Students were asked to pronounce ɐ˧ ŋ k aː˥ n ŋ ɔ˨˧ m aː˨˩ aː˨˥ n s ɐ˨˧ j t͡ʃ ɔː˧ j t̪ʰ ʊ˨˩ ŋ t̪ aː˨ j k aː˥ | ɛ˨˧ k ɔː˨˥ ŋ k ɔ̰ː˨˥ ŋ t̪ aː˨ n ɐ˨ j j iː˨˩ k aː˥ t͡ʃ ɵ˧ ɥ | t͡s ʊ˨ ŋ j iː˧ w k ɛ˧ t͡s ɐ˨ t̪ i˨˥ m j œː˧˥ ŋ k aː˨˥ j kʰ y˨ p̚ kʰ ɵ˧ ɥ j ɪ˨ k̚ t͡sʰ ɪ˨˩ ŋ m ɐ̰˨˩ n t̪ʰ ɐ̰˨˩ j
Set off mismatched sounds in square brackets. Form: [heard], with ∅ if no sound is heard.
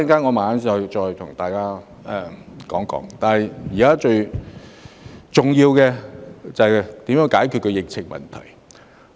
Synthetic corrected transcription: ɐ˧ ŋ k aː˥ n ŋ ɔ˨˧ m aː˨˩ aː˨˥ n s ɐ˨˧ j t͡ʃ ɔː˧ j t̪ʰ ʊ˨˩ ŋ t̪ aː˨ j k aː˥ | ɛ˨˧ k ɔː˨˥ ŋ k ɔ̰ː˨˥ ŋ t̪ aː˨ n ɐ˨ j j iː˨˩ k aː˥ t͡ʃ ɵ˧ ɥ | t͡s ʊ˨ ŋ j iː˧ w k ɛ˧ t͡s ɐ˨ t̪ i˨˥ m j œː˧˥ ŋ k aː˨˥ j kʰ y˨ [t̚] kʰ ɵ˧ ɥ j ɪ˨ k̚ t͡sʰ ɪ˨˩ ŋ m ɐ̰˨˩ n t̪ʰ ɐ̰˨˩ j